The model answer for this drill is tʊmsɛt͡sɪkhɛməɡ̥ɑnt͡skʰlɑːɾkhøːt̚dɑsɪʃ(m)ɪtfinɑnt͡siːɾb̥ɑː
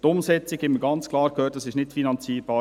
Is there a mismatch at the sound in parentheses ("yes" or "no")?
yes